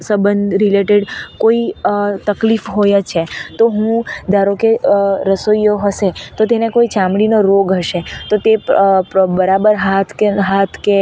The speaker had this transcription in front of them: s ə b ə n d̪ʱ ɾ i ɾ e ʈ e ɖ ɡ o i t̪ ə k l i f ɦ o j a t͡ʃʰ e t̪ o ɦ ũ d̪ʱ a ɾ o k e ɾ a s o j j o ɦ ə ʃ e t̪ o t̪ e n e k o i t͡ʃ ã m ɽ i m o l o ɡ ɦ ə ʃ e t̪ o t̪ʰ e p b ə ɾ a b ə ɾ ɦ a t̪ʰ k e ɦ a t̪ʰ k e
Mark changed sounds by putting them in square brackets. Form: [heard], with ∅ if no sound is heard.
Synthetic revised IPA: s ə b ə n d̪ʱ ɾ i [l] e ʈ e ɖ [k] o i t̪ ə k l i f ɦ o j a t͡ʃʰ e t̪ o ɦ ũ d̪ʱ a ɾ o k e ɾ [ə] s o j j o ɦ ə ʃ e t̪ o t̪ e n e k o i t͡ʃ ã m ɽ i [n] o [ɾ] o ɡ ɦ ə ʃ e t̪ o [t̪] e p b ə ɾ a b ə ɾ ɦ a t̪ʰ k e ɦ a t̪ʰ k e

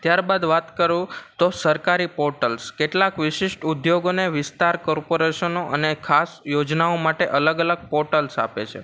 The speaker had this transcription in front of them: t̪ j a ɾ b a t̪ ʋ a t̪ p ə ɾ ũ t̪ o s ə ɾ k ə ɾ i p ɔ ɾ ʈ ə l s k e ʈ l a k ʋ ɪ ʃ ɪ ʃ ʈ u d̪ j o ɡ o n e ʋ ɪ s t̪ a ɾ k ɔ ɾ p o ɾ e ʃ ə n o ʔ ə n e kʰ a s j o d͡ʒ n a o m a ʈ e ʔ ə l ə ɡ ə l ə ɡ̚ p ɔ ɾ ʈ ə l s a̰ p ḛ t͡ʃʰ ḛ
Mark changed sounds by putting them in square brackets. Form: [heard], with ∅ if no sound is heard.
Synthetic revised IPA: t̪ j a ɾ b a [d̪] ʋ a t̪ [k] ə ɾ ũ t̪ o s ə ɾ k [a] ɾ i p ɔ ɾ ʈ ə l s k e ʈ l a k ʋ ɪ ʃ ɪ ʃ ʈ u d̪ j o ɡ o n e ʋ ɪ s t̪ a ɾ k ɔ ɾ p o ɾ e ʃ ə n o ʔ ə n e kʰ a s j o d͡ʒ n a o m a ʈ e ʔ ə l ə ɡ ə l ə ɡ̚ p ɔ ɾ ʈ ə l s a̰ p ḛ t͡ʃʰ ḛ

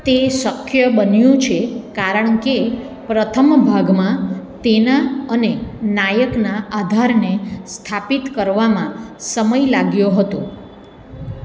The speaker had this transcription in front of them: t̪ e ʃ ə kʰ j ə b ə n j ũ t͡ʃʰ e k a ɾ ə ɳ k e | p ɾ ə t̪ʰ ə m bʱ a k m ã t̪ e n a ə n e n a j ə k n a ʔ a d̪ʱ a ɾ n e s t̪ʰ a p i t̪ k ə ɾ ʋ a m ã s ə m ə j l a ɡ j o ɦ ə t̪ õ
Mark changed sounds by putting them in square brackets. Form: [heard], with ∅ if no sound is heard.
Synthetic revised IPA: t̪ e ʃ ə kʰ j ə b ə n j ũ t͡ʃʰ e k a ɾ ə ɳ k e | p ɾ ə t̪ʰ ə m bʱ a [ɡ] m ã t̪ e n a ə n e n a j ə k n a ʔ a d̪ʱ a ɾ n e s t̪ʰ a p i t̪ k ə ɾ ʋ a m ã s ə m ə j l a ɡ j o ɦ ə t̪ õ

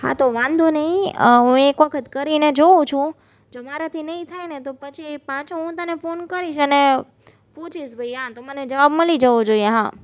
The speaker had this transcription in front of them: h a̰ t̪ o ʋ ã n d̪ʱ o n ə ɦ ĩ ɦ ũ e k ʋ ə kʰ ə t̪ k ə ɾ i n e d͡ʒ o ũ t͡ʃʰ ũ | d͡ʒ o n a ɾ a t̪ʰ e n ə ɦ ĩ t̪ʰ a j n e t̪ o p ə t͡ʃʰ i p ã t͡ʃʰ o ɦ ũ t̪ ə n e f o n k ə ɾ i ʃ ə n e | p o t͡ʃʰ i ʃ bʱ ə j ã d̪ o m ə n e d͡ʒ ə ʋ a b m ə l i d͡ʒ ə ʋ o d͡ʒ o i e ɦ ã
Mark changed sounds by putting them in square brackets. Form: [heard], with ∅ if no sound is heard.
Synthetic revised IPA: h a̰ t̪ o ʋ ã n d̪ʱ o n ə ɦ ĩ ɦ ũ e k ʋ ə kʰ ə t̪ k ə ɾ i n e d͡ʒ o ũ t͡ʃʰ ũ | d͡ʒ o [m] a ɾ a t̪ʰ [i] n ə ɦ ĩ t̪ʰ a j n e t̪ o p ə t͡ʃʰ i p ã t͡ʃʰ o ɦ ũ t̪ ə n e f o n k ə ɾ i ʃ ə n e | p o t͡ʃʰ i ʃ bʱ ə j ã [t̪] o m ə n e d͡ʒ ə ʋ a b m ə l i d͡ʒ ə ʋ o d͡ʒ o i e ɦ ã

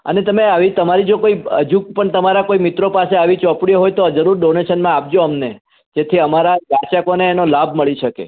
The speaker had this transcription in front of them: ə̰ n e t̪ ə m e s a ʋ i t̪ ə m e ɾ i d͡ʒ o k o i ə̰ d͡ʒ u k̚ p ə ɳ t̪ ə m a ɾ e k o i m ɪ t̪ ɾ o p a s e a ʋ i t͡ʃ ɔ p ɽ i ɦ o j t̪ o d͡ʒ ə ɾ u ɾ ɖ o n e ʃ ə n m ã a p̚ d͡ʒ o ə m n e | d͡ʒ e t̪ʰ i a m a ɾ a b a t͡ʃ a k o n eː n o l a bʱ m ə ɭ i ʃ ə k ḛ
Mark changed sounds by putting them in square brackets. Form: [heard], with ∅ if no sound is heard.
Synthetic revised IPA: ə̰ n e t̪ ə m e [∅] a ʋ i t̪ ə m [a] ɾ i d͡ʒ o k o i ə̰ d͡ʒ u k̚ p ə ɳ t̪ ə m a ɾ [a] k o i m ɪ t̪ ɾ o p a s e a ʋ i t͡ʃ ɔ p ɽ i ɦ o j t̪ o d͡ʒ ə ɾ u ɾ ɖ o n e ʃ ə n m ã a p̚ d͡ʒ o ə m n e | d͡ʒ e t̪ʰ i [ə] m a ɾ a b a t͡ʃ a k o n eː n o l a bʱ m ə ɭ i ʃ ə k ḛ

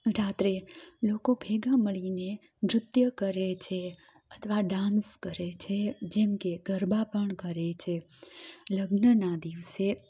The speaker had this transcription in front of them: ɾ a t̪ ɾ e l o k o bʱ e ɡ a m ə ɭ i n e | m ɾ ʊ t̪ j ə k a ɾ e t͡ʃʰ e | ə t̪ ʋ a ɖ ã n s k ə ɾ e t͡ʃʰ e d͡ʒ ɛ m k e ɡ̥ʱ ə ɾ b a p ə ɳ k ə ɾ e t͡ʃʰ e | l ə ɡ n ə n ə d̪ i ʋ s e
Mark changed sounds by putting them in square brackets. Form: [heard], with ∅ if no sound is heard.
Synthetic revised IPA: ɾ a t̪ ɾ e l o k o bʱ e ɡ a m ə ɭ i n e | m ɾ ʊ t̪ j ə k [ə] ɾ e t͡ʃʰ e | ə [t̪ʰ] ʋ a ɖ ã n s k ə ɾ e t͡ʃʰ e d͡ʒ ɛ m k e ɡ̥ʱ ə ɾ b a p ə ɳ k ə ɾ e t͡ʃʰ e | l ə ɡ n ə n [a] d̪ i ʋ s e

